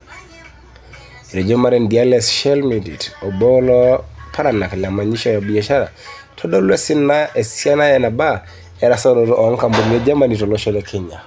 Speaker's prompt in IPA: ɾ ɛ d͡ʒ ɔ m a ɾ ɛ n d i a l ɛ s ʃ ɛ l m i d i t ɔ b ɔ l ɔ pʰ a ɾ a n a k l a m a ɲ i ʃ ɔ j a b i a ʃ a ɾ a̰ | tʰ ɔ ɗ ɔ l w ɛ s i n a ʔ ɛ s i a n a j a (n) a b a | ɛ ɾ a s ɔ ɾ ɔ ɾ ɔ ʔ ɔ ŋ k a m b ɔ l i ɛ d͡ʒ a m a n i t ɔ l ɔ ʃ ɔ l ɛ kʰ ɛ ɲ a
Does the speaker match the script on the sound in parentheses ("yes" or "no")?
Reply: yes